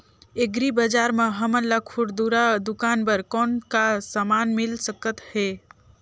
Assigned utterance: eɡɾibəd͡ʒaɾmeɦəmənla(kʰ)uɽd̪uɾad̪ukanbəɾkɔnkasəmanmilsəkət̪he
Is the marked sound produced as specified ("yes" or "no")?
yes